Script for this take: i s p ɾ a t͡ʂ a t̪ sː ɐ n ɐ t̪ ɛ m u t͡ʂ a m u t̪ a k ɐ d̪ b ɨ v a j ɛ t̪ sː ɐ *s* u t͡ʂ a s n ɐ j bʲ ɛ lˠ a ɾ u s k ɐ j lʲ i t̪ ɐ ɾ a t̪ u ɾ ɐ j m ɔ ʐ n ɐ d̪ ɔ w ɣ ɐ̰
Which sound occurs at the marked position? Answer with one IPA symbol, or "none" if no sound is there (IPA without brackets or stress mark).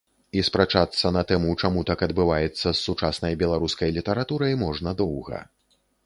sː